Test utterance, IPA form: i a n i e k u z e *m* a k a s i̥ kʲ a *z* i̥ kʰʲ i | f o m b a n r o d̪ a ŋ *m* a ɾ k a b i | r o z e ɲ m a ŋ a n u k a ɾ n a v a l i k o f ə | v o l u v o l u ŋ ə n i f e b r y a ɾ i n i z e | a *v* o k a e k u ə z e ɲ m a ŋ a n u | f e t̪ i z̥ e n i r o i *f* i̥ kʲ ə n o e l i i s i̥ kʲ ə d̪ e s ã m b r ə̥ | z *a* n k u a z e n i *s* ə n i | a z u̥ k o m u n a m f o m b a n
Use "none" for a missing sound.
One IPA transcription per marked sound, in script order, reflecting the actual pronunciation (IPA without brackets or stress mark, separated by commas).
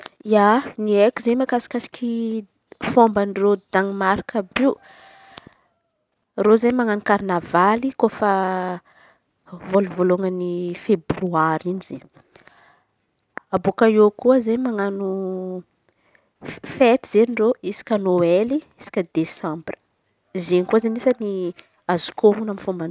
m, s, m, b, s, e, s